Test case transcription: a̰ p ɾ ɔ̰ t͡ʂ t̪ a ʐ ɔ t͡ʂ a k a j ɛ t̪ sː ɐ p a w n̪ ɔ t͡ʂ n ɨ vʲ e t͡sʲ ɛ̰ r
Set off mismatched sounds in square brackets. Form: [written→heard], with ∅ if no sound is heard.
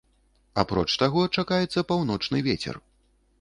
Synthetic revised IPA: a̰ p ɾ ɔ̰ t͡ʂ t̪ a [ʐ→ɣ] ɔ t͡ʂ a k a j ɛ t̪ sː ɐ p a w n̪ ɔ t͡ʂ n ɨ vʲ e t͡sʲ ɛ̰ r